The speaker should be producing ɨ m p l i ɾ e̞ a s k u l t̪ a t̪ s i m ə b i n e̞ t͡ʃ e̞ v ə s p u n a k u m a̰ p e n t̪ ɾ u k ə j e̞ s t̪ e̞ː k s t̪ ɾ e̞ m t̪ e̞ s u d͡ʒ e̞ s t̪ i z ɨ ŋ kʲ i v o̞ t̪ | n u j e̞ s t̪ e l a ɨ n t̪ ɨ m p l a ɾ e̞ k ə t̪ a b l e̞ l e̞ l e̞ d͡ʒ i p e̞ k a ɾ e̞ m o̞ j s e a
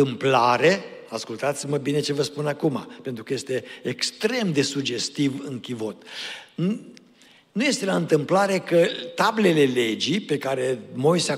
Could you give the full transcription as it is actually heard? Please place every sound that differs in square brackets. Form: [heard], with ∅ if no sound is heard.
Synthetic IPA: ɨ m p l [a] ɾ e̞ a s k u l t̪ a t̪ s i m ə b i n e̞ t͡ʃ e̞ v ə s p u n a k u m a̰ p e n t̪ ɾ u k ə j e̞ s t̪ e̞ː k s t̪ ɾ e̞ m [d̪] e̞ s u d͡ʒ e̞ s t̪ i [v] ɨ ŋ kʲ i v o̞ t̪ | n u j e̞ s t̪ e l a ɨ n t̪ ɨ m p l a ɾ e̞ k ə t̪ a b l e̞ l e̞ l e̞ d͡ʒ i p e̞ k a ɾ e̞ m o̞ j s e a